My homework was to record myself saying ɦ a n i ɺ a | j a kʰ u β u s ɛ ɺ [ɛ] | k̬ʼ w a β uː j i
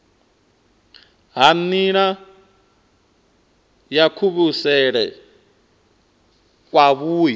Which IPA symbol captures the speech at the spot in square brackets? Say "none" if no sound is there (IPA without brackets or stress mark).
ɛ